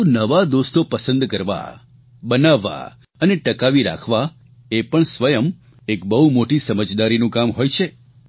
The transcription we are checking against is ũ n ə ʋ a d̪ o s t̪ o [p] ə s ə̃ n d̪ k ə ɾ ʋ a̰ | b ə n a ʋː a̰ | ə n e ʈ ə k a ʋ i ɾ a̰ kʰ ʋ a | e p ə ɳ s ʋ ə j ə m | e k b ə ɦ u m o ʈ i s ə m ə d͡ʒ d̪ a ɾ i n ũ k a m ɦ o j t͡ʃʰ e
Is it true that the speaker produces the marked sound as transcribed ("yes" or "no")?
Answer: yes